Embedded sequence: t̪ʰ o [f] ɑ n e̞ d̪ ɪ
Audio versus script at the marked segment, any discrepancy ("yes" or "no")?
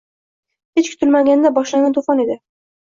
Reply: no